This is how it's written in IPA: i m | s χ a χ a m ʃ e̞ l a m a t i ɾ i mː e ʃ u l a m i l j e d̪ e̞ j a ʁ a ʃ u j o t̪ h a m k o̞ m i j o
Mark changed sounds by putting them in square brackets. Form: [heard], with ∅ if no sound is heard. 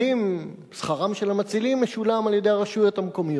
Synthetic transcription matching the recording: i m | s χ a [ʁ] a m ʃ e̞ l a m a [t͡s] i [l] i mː e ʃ u l a m [a] l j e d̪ e̞ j a ʁ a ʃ u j o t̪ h a m k o̞ m i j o